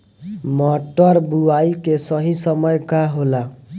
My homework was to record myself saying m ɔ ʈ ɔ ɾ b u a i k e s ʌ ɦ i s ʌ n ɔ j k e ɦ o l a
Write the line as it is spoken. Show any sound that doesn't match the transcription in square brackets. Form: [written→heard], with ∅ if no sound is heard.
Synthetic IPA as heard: m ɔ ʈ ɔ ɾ b u a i k e s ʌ ɦ i s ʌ [n→m] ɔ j k [e→a] ɦ o l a